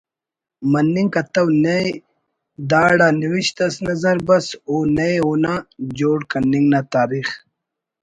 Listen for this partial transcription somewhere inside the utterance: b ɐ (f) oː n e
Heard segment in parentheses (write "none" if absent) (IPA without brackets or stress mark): s